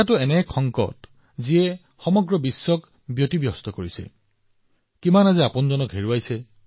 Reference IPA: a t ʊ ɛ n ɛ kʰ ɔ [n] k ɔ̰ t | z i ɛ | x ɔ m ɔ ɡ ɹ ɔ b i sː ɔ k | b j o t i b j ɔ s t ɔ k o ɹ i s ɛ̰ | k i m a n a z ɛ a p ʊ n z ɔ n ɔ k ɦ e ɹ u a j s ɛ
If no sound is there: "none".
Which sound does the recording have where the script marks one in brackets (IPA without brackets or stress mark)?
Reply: ŋ